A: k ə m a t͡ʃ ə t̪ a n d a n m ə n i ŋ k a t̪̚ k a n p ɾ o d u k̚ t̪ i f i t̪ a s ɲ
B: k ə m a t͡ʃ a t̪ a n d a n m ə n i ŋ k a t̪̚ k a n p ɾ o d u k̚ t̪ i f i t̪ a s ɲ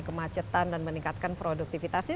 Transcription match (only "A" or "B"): A